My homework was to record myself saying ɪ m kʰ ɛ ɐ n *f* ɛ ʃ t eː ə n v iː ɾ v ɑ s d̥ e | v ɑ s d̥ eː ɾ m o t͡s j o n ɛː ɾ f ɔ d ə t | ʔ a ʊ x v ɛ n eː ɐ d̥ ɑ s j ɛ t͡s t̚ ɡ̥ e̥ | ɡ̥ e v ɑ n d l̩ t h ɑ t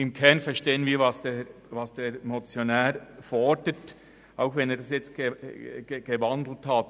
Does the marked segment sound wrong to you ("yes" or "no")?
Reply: no